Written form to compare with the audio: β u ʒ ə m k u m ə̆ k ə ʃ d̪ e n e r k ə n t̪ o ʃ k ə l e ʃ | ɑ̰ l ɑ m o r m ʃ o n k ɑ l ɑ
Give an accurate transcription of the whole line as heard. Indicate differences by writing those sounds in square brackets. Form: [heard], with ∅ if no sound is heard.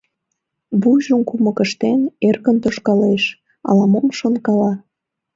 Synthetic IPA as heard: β u ʒ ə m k u m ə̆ k ə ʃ [t̪] e n e r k ə n t̪ o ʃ k [ɑ] l e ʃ | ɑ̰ l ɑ m o [∅] m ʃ o n k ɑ l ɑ